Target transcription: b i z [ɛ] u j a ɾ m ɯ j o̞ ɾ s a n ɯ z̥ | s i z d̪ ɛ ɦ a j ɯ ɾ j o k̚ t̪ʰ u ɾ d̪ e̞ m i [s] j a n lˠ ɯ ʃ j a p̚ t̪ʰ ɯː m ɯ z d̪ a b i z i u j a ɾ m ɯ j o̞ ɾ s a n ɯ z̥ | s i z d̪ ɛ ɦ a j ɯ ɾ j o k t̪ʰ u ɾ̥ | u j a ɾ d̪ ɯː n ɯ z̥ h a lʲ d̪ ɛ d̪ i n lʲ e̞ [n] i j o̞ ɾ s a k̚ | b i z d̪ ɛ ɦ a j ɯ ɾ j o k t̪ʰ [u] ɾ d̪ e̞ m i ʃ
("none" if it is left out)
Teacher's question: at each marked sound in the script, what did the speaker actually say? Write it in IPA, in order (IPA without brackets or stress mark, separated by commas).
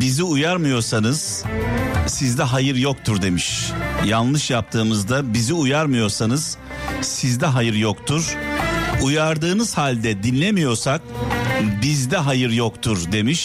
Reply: i, ʃ, m, u